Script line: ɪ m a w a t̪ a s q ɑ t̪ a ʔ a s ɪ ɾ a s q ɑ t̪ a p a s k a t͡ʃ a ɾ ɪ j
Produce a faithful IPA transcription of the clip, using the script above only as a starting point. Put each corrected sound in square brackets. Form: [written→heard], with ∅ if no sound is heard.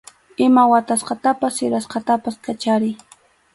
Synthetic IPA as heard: ɪ m a w a t̪ a s q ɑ t̪ a [ʔ→p] a s ɪ ɾ a s q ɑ t̪ a p a s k a t͡ʃ a ɾ ɪ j